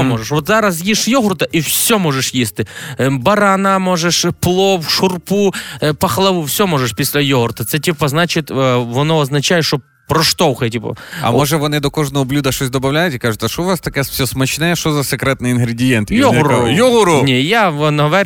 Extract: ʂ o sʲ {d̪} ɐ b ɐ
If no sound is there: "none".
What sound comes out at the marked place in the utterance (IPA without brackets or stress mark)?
d̪